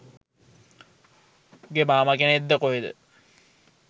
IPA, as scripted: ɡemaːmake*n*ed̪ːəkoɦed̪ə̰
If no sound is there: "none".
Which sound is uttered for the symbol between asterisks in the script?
n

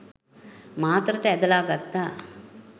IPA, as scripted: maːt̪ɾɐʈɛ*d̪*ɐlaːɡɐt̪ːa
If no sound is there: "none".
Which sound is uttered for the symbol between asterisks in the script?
d̪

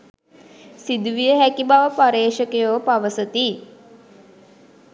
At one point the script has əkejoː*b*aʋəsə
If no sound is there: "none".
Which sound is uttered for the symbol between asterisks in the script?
p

